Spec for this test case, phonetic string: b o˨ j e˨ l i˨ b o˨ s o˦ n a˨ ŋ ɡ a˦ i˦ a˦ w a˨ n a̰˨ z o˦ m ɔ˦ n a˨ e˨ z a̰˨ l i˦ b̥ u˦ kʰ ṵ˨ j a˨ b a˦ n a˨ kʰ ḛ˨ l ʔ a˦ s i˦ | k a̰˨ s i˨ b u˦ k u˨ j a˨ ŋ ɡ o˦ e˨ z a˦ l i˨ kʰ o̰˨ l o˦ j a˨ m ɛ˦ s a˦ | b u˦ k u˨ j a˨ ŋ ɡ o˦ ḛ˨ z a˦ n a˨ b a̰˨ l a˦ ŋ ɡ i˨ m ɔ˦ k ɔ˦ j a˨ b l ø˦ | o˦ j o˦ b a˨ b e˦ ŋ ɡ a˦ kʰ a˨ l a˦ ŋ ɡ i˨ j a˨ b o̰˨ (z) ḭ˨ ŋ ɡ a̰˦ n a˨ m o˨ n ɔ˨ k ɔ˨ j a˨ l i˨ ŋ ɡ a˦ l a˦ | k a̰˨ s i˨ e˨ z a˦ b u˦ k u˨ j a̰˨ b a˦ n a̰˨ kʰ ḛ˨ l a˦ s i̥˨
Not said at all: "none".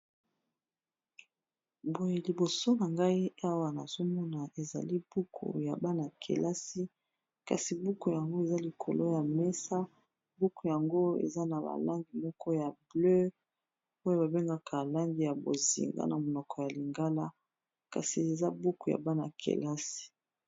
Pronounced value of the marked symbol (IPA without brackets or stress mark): z